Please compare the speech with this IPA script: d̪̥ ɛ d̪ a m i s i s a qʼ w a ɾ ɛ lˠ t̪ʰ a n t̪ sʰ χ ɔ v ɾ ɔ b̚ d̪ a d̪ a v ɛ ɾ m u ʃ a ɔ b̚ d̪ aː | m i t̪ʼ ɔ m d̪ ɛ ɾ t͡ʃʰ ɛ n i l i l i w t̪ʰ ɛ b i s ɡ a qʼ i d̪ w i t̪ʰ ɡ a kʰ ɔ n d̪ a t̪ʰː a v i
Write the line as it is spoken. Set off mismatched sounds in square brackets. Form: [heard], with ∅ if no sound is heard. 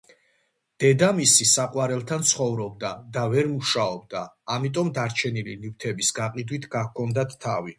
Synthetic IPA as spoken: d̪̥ ɛ d̪ a m i s i s a qʼ w a ɾ ɛ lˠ t̪ʰ a n t̪ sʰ χ ɔ v ɾ ɔ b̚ d̪ a d̪ a v ɛ ɾ m u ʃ a ɔ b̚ d̪ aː | m i t̪ʼ ɔ m d̪ [a] ɾ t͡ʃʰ ɛ n i l i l i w t̪ʰ ɛ b i s ɡ a qʼ i d̪ w i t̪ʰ ɡ a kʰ ɔ n d̪ a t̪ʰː a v i